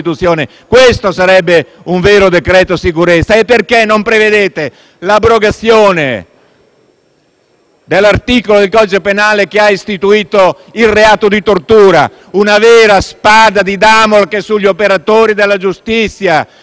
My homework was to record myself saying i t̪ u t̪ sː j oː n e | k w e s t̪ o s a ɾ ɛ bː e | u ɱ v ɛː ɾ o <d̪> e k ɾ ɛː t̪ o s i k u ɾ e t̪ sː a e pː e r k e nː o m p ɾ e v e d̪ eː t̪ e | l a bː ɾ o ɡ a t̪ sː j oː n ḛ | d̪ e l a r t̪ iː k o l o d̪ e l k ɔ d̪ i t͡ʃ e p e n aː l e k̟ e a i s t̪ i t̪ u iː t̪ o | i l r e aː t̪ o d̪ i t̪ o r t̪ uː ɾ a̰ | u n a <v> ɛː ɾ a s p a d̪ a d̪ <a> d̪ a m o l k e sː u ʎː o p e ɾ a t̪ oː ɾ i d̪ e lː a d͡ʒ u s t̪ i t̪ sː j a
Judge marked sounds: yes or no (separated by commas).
yes, yes, no